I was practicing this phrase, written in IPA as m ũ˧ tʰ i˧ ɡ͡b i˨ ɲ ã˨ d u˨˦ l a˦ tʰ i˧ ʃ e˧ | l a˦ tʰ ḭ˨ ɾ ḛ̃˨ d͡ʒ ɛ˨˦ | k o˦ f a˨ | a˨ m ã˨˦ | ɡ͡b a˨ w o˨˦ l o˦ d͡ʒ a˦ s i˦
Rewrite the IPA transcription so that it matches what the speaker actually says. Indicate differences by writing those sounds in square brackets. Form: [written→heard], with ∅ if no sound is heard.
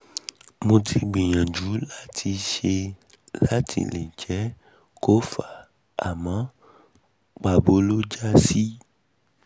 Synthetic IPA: m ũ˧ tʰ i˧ ɡ͡b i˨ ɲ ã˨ [d→d͡ʒ] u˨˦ l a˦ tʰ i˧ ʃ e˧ | l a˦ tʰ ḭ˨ [ɾ→l] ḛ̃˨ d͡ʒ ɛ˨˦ | k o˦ f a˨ | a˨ m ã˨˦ | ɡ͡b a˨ [w→b] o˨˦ l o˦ d͡ʒ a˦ s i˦